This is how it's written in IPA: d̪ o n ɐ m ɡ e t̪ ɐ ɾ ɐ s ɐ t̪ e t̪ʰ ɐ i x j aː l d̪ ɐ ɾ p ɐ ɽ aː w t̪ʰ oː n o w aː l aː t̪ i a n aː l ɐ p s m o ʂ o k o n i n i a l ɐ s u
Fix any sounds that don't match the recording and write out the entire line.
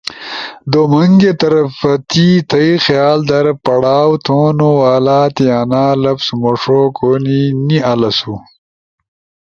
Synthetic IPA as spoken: d̪ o m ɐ ŋ ɡ e t̪ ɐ ɾ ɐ f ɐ t̪ i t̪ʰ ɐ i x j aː l d̪ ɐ ɾ p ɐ ɽ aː w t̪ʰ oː n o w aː l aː t̪ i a n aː l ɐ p s m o ʂ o k o n i n i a l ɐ s u

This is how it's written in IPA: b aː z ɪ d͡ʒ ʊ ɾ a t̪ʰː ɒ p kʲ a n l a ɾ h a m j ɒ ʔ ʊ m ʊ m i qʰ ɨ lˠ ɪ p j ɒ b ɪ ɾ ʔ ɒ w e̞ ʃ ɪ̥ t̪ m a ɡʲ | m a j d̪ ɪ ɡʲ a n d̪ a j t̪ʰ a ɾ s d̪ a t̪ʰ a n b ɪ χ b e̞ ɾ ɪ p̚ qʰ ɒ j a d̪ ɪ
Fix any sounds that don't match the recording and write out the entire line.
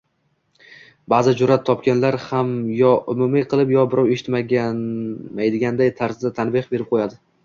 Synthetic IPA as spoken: b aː z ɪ d͡ʒ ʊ ɾ a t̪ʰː ɒ p kʲ a n l a ɾ h a m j ɒ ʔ ʊ m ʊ m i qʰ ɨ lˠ ɪ p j ɒ b ɪ ɾ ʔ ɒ w e̞ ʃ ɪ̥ t̪ m a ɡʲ | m a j d̪ ɪ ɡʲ a n d̪ a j t̪ʰ a ɾ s d̪ a t̪ʰ a n b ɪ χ b e̞ ɾ ɪ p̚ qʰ o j a d̪ ɪ

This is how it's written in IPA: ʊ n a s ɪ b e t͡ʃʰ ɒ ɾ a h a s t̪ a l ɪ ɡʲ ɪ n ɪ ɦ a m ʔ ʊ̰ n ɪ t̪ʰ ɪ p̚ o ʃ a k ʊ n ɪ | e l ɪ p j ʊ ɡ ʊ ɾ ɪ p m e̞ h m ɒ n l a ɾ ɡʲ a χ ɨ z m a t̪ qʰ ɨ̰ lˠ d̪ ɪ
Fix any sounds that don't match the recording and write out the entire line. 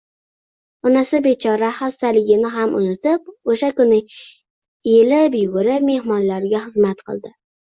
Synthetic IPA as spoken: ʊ n a s ɪ b e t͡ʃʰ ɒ ɾ a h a s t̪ a l ɪ ɡʲ ɪ n ɪ ɦ a m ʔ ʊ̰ n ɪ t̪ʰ ɪ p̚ o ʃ a k ʊ n ɪ | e l ɪ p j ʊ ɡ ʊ ɾ ɪ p m e̞ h m ɒ n l a ɾ ɡʲ a χ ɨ z m a t̪ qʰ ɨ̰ lˠ d̪ ɪ

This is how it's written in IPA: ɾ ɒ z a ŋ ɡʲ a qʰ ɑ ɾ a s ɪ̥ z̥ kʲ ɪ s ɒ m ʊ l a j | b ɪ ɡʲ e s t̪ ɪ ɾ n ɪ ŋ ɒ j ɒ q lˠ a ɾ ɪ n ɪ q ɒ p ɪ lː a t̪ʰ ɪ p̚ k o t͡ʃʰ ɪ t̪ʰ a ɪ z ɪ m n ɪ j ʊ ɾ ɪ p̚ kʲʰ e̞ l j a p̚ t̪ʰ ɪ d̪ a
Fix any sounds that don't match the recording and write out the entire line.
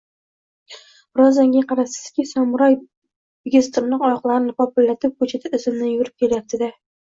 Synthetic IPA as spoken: ɾ ɒ z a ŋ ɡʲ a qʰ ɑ ɾ a s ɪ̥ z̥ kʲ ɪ s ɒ m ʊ ɾ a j | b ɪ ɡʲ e s t̪ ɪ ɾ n ɪ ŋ ɒ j ɒ q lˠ a ɾ ɪ n ɪ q ɒ p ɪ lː a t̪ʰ ɪ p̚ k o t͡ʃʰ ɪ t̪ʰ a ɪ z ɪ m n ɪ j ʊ ɾ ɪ p̚ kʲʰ e̞ l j a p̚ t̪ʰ ɪ d̪ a

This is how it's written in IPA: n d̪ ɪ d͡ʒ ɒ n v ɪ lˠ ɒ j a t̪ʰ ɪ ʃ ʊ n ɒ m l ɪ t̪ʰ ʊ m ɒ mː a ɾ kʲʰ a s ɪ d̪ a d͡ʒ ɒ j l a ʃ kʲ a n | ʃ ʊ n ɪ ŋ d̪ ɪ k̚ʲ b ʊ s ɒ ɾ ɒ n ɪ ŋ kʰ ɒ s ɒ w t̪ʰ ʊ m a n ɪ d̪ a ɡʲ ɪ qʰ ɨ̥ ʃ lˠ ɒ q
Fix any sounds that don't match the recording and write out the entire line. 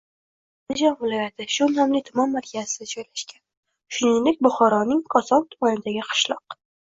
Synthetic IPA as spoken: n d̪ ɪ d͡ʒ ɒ n v ɪ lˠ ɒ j a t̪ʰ ɪ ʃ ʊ n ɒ m l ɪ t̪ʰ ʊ m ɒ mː a ɾ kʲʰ a z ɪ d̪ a d͡ʒ ɒ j l a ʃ kʲ a n | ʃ ʊ n ɪ ŋ d̪ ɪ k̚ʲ b ʊ χ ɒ ɾ ɒ n ɪ ŋ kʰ ɒ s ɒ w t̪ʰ ʊ m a n ɪ d̪ a ɡʲ ɪ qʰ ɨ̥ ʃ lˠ ɒ q

